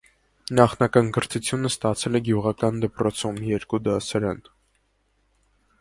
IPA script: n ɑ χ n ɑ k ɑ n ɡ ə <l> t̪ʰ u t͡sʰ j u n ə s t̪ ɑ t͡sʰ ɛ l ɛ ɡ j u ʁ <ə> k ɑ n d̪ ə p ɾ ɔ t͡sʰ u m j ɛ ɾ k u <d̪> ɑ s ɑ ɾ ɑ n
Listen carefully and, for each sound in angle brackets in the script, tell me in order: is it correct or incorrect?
incorrect, incorrect, correct

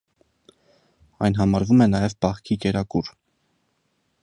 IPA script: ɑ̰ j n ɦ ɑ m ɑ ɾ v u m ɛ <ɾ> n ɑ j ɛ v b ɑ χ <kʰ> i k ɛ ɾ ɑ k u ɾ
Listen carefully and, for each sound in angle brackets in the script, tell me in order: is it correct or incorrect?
incorrect, correct

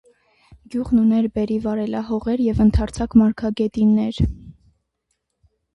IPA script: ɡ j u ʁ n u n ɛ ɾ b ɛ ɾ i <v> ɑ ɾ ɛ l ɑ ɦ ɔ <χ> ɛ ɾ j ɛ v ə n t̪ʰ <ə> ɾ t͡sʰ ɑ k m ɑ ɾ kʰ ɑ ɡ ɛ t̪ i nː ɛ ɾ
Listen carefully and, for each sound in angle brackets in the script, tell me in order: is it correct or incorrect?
correct, incorrect, incorrect

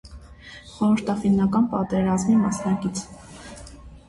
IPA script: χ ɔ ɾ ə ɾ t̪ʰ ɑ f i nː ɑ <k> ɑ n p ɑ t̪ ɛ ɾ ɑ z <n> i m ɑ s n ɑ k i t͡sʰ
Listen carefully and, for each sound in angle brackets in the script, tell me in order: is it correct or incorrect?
correct, incorrect

